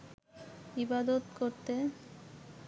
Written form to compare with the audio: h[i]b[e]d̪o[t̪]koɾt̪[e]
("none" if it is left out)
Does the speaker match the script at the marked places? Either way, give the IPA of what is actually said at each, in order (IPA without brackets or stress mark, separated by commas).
i, a, t̪, e